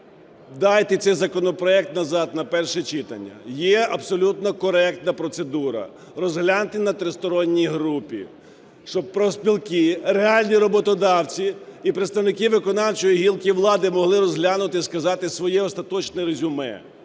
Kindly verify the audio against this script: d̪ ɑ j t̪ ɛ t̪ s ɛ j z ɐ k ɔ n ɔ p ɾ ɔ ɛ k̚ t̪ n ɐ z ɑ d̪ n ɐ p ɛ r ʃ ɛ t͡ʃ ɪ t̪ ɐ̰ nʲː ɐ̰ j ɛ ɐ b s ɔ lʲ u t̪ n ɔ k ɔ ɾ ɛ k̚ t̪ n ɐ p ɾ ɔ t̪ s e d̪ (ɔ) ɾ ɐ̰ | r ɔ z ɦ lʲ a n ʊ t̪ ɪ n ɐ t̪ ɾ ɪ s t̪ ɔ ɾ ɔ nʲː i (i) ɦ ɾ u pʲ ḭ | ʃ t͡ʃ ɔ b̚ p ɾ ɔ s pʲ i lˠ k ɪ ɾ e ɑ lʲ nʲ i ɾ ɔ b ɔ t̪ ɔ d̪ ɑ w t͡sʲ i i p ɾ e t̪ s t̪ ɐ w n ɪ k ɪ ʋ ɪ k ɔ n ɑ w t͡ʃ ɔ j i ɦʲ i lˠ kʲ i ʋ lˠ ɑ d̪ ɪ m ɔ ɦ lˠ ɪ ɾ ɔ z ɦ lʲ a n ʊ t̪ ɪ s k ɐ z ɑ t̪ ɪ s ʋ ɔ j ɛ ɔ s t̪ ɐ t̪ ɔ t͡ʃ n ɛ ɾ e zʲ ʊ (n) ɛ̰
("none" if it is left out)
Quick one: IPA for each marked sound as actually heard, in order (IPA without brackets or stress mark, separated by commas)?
u, j, m